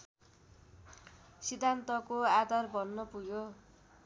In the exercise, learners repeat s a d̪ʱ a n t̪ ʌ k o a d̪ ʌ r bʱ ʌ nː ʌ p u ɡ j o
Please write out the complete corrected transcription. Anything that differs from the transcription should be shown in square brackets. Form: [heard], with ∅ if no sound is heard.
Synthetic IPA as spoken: s [i] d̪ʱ a n t̪ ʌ k o a d̪ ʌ r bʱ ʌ nː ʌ p u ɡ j o